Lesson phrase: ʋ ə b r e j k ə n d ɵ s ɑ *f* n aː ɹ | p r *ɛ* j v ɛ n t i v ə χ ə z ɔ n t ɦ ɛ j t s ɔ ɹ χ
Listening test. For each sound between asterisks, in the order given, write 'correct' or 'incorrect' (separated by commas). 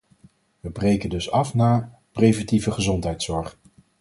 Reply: correct, incorrect